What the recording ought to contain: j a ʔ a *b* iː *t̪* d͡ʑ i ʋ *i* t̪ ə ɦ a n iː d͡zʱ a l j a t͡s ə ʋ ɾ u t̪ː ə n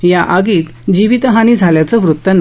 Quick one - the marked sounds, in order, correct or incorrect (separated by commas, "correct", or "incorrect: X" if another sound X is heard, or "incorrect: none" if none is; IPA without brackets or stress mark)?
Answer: incorrect: ɡ, correct, correct